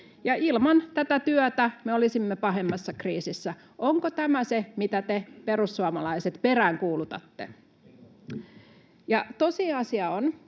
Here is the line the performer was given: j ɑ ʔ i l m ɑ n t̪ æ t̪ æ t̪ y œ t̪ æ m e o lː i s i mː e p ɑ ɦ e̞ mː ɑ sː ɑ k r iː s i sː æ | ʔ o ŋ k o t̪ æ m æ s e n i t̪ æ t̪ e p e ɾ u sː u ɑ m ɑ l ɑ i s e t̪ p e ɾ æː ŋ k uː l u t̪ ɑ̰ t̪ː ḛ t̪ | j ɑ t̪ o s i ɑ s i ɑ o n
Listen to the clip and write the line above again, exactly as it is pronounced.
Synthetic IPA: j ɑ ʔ i l m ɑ n t̪ æ t̪ æ t̪ y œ t̪ æ m e o l i s i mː e p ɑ ɦ e̞ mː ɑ sː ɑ k r iː s i sː æ | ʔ o ŋ k o t̪ æ m æ s e m i t̪ æ t̪ e p e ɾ u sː u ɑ m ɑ l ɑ i s e t̪ p e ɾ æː ŋ k uː l u t̪ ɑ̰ t̪ː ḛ | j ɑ t̪ o s i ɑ s i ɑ o n